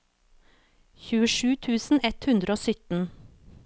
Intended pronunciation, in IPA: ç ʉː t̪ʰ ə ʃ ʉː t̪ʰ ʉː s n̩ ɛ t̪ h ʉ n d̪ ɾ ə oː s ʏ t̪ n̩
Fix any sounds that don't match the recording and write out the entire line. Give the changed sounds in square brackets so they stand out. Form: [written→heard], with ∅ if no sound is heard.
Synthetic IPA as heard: ç ʉː [t̪ʰ→∅] ə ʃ ʉː t̪ʰ ʉː s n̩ ɛ t̪ h ʉ n d̪ ɾ ə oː s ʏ t̪ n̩

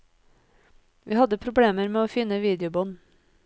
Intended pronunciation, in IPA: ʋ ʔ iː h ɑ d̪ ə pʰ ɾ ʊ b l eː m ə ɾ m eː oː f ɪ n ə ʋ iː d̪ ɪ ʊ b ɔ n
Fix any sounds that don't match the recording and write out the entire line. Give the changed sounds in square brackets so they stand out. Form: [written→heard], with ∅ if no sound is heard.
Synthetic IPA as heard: ʋ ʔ iː h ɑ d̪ ə pʰ ɾ ʊ b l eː m ə ɾ m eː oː f ɪ n ə ʋ iː d̪ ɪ ʊ b ɔ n

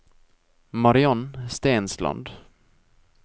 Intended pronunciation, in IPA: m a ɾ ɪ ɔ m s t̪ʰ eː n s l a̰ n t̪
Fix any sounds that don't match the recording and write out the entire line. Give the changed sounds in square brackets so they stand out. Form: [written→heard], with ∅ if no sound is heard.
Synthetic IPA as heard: m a ɾ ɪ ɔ [m→n] s [t̪ʰ→t̪] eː n s l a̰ n [t̪→d̪]

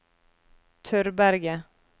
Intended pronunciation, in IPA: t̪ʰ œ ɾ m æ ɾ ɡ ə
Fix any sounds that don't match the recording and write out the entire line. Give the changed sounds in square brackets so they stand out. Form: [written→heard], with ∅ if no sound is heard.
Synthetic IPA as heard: t̪ʰ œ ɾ [m→b] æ ɾ ɡ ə

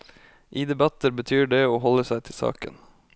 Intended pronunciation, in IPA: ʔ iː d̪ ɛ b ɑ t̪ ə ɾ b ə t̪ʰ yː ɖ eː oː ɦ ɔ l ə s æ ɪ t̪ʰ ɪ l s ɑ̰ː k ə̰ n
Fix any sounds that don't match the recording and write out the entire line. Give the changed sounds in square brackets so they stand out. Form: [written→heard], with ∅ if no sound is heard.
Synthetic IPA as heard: ʔ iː d̪ ɛ b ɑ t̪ ə ɾ b ə t̪ʰ yː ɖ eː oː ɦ ɔ l ə s æ ɪ t̪ʰ ɪ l s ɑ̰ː k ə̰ n

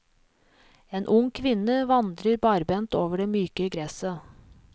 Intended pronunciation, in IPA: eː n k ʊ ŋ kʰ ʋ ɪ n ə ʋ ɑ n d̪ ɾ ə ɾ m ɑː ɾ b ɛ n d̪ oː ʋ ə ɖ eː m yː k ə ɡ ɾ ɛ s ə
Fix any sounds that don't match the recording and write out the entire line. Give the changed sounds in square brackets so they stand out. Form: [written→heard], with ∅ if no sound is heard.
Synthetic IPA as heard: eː n [k→ʔ] ʊ ŋ kʰ ʋ ɪ n ə ʋ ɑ n d̪ ɾ ə ɾ [m→b] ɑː ɾ b ɛ n [d̪→t̪] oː ʋ ə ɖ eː m yː k ə ɡ ɾ ɛ s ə

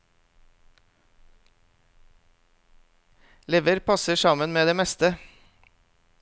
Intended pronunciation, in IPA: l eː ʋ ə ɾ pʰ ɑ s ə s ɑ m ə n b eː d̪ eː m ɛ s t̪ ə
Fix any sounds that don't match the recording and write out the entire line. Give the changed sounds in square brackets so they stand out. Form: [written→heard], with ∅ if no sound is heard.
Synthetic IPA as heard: l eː ʋ ə ɾ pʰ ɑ s ə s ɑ m ə n [b→m] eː d̪ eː m ɛ s t̪ ə

